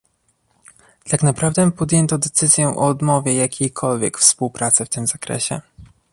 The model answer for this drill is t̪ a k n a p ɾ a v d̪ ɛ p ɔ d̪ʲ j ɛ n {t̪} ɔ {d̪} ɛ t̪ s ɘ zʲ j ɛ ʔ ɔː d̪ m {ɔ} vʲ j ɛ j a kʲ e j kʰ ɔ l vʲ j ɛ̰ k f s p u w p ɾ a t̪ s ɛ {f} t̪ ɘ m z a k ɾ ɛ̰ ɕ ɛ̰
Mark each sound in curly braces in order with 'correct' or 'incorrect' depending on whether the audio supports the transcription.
correct, correct, correct, correct

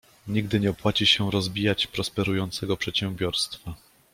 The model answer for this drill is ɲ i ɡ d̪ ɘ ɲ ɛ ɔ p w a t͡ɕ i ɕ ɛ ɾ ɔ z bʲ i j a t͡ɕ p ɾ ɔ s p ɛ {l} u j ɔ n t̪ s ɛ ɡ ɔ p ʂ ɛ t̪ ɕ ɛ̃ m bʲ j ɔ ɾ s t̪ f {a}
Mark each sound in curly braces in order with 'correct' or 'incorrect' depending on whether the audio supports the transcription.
incorrect: ɾ, correct

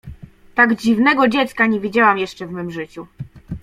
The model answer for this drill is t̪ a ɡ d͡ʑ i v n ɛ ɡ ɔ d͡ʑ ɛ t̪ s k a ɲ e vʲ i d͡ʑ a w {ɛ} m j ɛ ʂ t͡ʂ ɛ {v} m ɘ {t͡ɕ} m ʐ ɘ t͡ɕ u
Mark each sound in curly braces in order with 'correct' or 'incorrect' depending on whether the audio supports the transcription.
incorrect: a, correct, incorrect: none

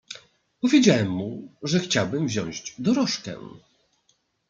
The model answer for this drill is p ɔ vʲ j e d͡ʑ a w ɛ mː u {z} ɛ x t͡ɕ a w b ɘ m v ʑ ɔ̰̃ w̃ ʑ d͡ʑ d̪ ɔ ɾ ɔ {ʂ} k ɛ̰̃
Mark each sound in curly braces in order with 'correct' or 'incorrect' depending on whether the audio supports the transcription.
incorrect: ʐ, correct

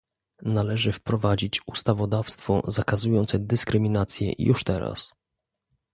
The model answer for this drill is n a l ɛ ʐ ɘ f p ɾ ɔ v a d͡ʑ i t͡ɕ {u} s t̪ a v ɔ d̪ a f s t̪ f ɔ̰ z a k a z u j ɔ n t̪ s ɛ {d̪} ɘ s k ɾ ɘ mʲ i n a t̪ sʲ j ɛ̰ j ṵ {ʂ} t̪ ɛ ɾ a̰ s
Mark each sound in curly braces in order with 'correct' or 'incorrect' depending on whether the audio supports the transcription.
correct, correct, correct

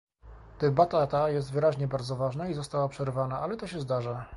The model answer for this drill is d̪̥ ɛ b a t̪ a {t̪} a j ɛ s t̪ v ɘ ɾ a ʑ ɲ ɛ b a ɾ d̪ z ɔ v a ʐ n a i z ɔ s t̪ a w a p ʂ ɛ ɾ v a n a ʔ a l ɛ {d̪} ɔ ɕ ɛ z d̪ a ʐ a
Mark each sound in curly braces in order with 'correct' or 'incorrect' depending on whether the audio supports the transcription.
correct, incorrect: t̪

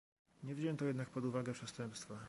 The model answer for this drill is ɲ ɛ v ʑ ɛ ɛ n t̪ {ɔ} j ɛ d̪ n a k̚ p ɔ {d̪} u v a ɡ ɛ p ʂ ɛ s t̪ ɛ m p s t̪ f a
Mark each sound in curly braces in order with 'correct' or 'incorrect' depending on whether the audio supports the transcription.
correct, correct

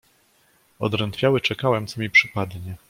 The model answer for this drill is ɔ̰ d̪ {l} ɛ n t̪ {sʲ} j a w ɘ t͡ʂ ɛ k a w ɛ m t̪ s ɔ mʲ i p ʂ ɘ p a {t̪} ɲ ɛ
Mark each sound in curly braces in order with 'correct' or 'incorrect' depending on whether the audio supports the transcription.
incorrect: ɾ, incorrect: fʲ, incorrect: d̪

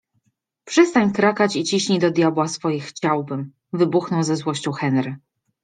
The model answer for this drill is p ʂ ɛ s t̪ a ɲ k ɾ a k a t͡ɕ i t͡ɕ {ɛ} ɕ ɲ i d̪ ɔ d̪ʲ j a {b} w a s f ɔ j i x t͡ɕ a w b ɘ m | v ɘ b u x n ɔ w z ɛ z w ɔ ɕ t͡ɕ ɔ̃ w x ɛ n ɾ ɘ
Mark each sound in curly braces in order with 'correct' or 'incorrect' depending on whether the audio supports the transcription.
incorrect: i, correct

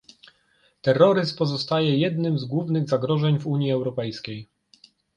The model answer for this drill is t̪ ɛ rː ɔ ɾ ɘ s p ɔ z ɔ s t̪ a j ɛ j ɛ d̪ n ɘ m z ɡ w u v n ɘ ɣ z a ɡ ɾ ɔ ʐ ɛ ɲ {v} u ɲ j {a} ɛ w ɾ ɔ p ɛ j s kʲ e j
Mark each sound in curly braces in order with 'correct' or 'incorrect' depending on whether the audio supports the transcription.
correct, incorrect: i

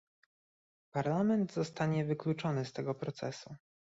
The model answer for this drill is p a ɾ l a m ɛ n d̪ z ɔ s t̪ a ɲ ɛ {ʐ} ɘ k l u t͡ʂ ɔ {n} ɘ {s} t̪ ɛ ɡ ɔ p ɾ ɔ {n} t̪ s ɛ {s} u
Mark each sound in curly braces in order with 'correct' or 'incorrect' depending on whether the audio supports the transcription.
incorrect: v, correct, correct, incorrect: none, correct

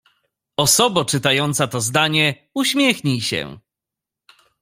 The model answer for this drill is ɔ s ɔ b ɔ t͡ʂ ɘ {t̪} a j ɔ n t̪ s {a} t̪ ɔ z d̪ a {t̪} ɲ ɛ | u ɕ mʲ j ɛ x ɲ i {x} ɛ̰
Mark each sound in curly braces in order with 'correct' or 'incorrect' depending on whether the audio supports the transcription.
correct, correct, incorrect: none, incorrect: ɕ

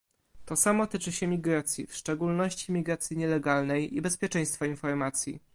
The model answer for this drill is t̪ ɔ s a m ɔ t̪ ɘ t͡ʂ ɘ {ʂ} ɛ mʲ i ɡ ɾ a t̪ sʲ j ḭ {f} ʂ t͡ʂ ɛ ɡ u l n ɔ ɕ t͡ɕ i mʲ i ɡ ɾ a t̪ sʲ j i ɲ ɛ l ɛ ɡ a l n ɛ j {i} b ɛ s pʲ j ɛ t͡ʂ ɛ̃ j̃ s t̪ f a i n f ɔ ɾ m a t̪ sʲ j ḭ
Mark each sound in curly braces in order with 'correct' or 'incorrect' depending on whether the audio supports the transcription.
incorrect: ɕ, correct, correct

